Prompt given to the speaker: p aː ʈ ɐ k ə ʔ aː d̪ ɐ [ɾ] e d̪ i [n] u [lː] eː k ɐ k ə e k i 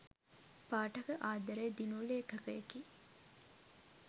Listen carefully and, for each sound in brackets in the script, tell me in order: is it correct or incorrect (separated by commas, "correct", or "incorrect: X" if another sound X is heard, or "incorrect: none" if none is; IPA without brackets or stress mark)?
correct, correct, incorrect: l